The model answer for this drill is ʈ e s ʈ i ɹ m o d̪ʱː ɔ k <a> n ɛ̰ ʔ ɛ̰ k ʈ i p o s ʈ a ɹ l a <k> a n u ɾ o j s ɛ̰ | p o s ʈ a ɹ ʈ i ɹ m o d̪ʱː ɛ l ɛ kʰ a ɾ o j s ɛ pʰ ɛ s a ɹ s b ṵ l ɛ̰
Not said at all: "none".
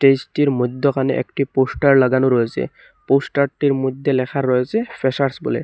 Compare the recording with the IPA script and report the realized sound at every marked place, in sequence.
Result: a, ɡ

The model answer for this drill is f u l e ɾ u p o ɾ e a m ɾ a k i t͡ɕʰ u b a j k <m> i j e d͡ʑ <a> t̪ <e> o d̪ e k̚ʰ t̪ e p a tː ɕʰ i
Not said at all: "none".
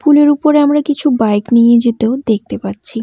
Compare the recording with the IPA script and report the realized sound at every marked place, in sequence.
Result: n, e, e

